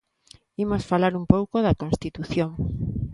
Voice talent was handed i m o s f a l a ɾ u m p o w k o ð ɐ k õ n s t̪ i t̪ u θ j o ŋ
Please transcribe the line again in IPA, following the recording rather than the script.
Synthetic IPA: i m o s f a l a ɾ u m p o w k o ð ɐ k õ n s t̪ i t̪ u θ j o ŋ